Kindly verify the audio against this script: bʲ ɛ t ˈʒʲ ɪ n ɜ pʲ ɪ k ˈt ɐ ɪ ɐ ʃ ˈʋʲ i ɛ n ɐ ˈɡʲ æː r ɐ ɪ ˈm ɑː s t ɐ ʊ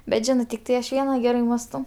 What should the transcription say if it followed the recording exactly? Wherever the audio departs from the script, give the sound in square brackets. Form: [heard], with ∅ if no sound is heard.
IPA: bʲ ɛ t ˈʒʲ ɪ n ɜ [tʲ] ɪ k ˈt ɐ ɪ ɐ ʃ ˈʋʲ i ɛ n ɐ ˈɡʲ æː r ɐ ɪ ˈm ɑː s t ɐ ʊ